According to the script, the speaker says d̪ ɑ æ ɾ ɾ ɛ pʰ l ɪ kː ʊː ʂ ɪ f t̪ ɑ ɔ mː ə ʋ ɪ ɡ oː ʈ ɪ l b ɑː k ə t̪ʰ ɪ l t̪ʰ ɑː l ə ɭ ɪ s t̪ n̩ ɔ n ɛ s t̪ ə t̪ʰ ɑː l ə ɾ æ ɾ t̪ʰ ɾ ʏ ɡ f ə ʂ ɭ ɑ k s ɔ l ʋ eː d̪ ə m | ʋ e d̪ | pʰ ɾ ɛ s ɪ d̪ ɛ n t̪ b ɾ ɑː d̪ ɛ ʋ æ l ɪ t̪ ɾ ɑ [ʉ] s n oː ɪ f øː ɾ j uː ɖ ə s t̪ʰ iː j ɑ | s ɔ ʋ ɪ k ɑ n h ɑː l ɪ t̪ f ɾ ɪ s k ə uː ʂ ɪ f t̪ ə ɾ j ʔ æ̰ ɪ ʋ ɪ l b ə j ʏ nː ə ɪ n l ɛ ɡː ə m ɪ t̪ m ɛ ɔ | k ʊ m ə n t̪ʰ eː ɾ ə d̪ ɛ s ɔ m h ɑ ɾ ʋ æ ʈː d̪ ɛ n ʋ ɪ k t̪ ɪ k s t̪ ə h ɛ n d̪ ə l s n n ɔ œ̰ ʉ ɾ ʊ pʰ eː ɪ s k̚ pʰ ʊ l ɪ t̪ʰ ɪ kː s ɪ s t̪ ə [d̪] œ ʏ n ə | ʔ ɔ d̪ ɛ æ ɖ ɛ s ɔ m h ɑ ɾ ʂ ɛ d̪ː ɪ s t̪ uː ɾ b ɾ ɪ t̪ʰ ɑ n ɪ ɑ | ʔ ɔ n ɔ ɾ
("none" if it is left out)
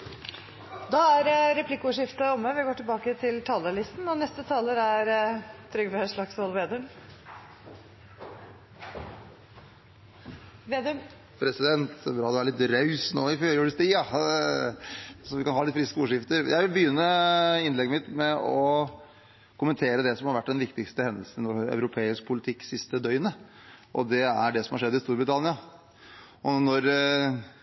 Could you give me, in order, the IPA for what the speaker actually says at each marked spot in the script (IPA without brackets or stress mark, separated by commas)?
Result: ʉ, d̪